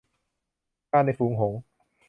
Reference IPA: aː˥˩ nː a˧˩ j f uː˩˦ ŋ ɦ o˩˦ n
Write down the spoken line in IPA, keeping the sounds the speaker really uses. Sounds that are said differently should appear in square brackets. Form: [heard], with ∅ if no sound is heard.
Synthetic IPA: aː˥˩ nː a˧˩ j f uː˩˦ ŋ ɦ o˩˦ [ŋ]